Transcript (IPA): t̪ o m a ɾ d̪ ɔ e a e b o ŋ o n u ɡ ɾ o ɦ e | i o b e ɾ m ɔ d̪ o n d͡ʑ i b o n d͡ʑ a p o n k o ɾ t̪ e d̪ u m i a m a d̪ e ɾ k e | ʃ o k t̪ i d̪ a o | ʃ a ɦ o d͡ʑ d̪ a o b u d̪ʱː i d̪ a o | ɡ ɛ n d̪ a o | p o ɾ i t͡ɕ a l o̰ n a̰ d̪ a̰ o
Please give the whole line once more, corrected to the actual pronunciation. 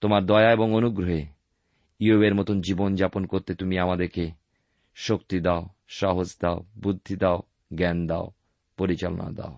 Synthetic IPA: t̪ o m a ɾ d̪ ɔ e a e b o ŋ o n u ɡ ɾ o ɦ e | i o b e ɾ m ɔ t̪ o n d͡ʑ i b o n d͡ʑ a p o n k o ɾ t̪ e t̪ u m i a m a d̪ e ɾ k e | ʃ o k t̪ i d̪ a o | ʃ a ɦ o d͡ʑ d̪ a o b u d̪ʱː i d̪ a o | ɡ ɛ n d̪ a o | p o ɾ i t͡ɕ a l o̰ n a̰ d̪ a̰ o